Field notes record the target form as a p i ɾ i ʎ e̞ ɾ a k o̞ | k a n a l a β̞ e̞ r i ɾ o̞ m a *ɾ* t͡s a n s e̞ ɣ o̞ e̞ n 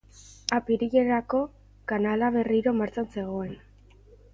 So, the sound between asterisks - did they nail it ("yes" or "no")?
yes